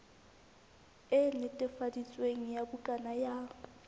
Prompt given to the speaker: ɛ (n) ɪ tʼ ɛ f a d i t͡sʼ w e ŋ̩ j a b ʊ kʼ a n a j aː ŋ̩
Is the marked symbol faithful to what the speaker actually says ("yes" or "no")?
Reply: yes